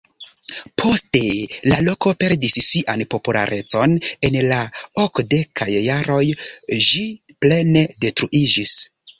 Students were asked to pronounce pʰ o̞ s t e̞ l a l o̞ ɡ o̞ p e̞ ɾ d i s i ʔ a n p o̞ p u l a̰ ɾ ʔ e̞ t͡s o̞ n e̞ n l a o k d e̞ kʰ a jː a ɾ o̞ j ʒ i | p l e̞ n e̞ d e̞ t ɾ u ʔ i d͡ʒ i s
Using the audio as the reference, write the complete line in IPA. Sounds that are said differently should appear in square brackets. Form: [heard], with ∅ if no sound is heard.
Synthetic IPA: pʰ o̞ s t e̞ l a l o̞ [k] o̞ p e̞ ɾ d i [sː] i ʔ a n p o̞ p u l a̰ ɾ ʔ e̞ t͡s o̞ n e̞ n l a o k d e̞ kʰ a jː a ɾ o̞ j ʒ i | p l e̞ n e̞ d e̞ t ɾ u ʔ i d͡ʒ i s